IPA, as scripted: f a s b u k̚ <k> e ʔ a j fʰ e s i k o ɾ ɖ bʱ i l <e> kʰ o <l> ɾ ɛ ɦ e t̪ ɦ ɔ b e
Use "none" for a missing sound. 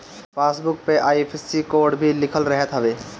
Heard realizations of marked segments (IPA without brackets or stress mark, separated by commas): p, i, l